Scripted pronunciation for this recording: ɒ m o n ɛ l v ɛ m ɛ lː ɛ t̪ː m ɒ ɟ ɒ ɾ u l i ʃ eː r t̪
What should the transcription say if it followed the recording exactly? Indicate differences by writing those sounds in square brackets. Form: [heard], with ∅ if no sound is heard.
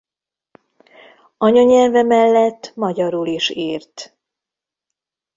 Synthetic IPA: ɒ [ɲ] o [ɲ] ɛ l v ɛ m ɛ lː ɛ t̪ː m ɒ ɟ ɒ ɾ u l i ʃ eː r t̪